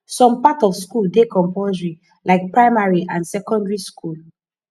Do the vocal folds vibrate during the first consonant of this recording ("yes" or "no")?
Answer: no